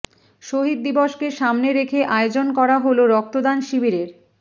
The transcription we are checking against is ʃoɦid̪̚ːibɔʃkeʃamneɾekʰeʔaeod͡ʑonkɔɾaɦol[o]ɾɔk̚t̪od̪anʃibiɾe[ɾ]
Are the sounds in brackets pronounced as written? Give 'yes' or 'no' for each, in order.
yes, yes

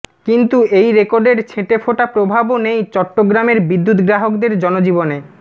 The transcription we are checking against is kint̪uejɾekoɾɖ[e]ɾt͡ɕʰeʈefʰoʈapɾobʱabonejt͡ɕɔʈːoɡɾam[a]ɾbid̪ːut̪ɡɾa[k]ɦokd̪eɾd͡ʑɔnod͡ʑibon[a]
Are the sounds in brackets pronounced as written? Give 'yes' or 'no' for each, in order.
yes, no, no, no

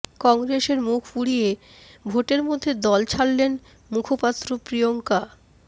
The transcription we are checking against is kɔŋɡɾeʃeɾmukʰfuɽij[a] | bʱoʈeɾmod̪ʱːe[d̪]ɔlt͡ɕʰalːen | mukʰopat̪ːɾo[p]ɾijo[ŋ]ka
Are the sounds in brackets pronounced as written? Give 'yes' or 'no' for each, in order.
no, yes, yes, yes

